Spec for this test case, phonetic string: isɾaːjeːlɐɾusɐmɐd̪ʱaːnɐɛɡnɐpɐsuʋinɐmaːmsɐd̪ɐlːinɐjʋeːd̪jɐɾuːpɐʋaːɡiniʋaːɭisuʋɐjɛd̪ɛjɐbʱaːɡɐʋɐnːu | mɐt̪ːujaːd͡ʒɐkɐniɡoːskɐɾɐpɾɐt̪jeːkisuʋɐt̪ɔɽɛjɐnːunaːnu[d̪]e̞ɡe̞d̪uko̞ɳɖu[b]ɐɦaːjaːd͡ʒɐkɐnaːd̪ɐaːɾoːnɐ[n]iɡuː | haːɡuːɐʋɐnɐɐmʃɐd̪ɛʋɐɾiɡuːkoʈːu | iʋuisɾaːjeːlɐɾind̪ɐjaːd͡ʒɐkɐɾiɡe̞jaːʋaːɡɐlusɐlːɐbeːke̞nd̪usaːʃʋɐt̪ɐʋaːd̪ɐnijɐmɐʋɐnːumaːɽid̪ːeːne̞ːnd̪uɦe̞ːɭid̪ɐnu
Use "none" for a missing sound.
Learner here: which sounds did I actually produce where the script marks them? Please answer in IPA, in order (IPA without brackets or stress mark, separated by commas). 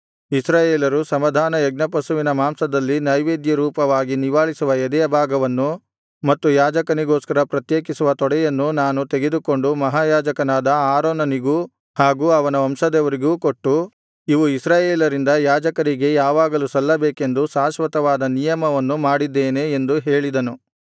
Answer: t̪, m, n